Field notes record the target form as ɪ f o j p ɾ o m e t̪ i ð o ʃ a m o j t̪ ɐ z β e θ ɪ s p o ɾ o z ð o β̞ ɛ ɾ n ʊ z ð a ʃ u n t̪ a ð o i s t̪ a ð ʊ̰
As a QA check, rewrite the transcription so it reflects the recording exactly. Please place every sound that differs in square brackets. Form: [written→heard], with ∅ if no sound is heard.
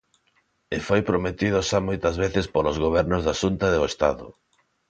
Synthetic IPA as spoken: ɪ f o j p ɾ o m e t̪ i ð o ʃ a m o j t̪ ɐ z β e θ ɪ s p o [ɾ→l] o z [ð→ɣ] o β̞ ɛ ɾ n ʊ z ð a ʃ u n t̪ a ð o [i→e] s t̪ a ð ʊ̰